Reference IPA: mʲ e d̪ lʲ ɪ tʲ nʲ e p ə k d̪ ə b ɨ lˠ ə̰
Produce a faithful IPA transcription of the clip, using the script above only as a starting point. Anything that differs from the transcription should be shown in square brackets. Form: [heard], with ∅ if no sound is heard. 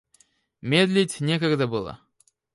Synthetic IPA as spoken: mʲ e d̪ lʲ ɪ tʲ nʲ e [k] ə [ɡ] d̪ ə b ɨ lˠ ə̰